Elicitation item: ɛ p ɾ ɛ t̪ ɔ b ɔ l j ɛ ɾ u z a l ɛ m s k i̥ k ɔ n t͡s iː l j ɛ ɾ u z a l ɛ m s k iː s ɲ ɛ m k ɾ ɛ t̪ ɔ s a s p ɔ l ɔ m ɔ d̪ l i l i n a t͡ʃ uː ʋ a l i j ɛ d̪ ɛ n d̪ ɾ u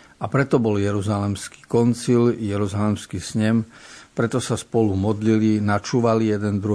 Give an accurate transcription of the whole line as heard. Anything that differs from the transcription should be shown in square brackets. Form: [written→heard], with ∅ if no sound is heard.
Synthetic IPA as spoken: [ɛ→a] p ɾ ɛ t̪ ɔ b ɔ l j ɛ ɾ u z a l ɛ m s k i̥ k ɔ n t͡s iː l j ɛ ɾ u z a l ɛ m s k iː s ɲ ɛ m [k→p] ɾ ɛ t̪ ɔ s a s p ɔ l [ɔ→u] m ɔ d̪ l i l i n a t͡ʃ uː ʋ a l i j ɛ d̪ ɛ n d̪ ɾ u